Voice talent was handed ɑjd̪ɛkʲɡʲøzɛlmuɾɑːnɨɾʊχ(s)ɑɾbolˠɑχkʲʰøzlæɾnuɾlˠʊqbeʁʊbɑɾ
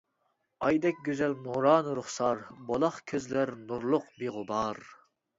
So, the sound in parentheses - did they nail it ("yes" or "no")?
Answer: yes